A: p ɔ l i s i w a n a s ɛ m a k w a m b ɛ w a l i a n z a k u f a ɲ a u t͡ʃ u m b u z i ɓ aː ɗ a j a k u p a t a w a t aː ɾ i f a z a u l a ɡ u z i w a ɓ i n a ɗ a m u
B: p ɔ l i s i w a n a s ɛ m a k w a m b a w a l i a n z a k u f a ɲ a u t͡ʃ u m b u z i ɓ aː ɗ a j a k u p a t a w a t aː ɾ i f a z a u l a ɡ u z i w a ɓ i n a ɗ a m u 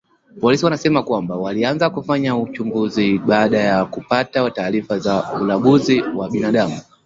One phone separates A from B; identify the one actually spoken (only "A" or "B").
B